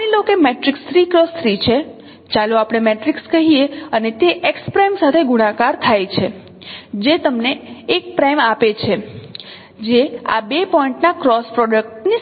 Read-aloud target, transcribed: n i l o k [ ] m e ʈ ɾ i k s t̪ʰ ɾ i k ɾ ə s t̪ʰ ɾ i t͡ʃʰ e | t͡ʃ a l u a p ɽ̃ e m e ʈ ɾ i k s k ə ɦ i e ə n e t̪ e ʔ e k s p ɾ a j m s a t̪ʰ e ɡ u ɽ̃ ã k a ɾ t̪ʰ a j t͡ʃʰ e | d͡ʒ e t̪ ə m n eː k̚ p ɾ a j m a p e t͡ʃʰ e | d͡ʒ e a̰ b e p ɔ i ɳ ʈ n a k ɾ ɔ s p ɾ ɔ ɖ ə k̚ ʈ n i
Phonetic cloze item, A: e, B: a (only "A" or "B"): A